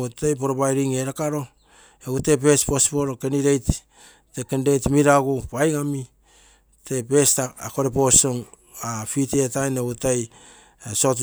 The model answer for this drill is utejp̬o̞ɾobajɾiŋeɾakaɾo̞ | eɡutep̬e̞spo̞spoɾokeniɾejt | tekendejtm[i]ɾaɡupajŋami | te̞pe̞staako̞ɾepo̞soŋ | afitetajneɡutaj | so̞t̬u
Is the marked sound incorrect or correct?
correct